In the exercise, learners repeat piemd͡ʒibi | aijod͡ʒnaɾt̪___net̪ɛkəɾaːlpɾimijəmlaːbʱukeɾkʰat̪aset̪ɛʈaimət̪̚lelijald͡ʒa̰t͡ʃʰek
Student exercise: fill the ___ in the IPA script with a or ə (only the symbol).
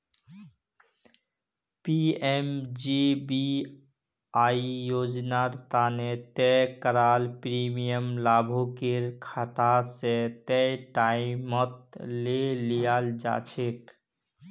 a